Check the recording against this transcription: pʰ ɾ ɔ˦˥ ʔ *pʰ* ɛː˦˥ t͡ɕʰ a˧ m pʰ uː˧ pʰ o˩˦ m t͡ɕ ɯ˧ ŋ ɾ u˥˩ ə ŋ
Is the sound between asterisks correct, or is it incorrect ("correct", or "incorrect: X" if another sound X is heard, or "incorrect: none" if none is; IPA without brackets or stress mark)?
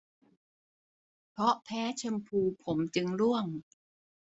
correct